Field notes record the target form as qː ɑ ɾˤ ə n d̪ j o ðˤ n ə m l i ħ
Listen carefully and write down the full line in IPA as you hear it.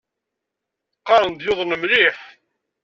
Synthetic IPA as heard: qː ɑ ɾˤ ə n d̪ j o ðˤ n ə m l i ħ